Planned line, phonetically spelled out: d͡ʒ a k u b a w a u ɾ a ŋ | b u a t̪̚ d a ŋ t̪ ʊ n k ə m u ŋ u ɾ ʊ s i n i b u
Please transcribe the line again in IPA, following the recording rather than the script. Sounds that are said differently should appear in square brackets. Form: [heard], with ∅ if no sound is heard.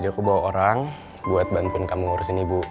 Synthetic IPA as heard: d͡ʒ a k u b a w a [o] ɾ a ŋ | b u a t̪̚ [b] a [n] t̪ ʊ n k [a] m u ŋ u ɾ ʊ s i n i b u